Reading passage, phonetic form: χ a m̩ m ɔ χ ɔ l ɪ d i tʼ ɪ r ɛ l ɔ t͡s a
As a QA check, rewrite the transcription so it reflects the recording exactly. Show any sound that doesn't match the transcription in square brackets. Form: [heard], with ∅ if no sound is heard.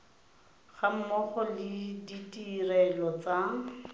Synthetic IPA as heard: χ a m̩ m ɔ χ ɔ l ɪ d i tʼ [i] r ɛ l ɔ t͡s a